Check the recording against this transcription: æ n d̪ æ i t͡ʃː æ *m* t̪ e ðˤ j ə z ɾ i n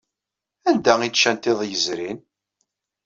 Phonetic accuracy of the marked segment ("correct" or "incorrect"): incorrect